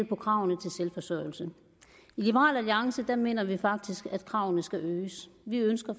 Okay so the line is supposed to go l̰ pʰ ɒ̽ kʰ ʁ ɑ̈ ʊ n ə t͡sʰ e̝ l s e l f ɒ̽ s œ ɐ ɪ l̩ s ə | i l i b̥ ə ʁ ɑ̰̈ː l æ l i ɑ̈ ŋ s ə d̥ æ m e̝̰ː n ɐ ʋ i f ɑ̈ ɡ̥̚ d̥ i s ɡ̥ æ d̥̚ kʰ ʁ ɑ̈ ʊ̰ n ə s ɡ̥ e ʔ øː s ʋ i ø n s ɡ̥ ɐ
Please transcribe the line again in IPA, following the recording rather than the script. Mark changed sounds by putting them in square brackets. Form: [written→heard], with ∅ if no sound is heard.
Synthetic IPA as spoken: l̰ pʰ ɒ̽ kʰ ʁ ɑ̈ ʊ n ə t͡sʰ e̝ l s e l f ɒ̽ s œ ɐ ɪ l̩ s ə | i l i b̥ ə ʁ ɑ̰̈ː l æ l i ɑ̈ ŋ s ə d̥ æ m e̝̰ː n ɐ ʋ i f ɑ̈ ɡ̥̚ d̥ i s ɡ̥ æ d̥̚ kʰ ʁ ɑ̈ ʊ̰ n ə s ɡ̥ [e→æ] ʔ øː s ʋ i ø n s ɡ̥ ɐ